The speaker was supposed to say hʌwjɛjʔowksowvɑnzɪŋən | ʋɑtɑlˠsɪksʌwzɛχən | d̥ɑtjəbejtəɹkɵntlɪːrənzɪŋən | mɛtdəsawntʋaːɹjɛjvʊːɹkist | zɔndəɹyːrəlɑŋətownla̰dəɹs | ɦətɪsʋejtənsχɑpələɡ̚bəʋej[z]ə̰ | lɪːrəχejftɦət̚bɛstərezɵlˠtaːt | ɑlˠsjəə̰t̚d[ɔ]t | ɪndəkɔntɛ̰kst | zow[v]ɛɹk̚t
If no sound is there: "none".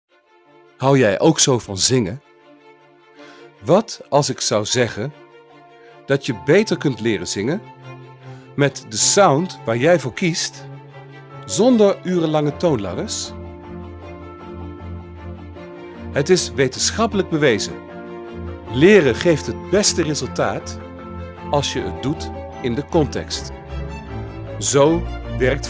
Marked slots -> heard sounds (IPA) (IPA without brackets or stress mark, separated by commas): z, u, ʋ